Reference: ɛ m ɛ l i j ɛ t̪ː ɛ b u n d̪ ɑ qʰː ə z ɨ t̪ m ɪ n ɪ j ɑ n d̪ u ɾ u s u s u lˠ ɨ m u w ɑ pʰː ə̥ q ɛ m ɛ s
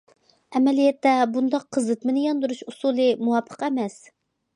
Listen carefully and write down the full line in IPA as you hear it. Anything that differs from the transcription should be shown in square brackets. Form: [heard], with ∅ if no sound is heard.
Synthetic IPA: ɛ m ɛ l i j ɛ t̪ː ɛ b u n d̪ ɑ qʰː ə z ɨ t̪ m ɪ n ɪ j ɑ n d̪ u ɾ u [ʃ] u s u lˠ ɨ m u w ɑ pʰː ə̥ q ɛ m ɛ s